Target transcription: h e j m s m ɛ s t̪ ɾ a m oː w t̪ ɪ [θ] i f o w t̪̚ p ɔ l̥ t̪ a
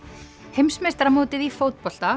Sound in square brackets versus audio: incorrect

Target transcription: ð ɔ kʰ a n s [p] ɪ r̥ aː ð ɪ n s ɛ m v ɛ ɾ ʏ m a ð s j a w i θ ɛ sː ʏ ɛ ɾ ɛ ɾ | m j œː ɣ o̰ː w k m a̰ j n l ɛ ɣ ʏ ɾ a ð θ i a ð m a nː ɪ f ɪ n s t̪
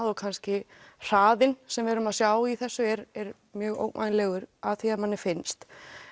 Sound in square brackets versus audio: incorrect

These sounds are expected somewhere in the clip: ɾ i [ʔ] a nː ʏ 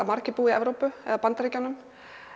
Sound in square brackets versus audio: incorrect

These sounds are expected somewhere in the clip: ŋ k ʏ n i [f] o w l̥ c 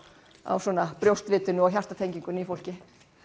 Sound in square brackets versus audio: correct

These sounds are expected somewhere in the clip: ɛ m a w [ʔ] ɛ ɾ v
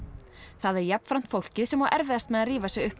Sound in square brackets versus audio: correct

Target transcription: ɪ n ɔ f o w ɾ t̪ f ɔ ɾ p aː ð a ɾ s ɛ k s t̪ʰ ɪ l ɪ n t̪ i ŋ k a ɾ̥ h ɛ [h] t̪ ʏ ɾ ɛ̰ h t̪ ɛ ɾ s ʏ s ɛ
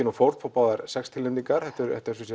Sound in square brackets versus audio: correct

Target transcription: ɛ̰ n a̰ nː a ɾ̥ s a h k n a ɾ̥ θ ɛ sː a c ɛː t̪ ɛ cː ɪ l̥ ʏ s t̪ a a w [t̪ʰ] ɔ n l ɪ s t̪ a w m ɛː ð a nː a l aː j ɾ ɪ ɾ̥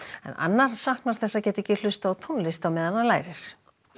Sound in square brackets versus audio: correct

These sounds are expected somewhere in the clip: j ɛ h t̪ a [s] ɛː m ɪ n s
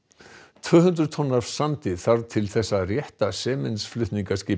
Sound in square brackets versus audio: correct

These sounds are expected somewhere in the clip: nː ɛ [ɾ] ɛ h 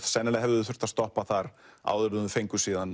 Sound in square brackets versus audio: incorrect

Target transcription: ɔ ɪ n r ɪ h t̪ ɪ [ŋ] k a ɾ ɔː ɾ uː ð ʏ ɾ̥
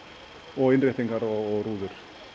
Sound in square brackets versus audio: correct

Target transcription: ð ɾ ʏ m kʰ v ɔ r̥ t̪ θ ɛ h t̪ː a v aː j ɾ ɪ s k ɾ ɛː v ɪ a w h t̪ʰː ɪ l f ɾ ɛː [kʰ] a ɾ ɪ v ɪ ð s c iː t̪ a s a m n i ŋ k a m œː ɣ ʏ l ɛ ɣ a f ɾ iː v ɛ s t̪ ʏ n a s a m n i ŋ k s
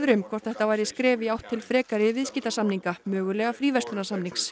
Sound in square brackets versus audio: incorrect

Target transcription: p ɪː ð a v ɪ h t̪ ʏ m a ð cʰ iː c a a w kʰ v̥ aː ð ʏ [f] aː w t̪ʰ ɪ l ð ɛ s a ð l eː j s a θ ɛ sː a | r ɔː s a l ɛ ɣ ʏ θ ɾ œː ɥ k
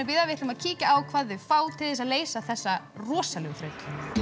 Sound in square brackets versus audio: correct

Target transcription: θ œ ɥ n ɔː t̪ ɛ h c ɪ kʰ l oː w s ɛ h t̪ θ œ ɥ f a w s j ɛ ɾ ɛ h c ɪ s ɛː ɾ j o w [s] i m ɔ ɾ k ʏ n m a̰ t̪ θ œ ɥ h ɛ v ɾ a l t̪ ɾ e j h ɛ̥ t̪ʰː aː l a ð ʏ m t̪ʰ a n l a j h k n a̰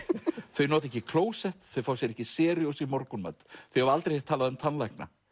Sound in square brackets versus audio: correct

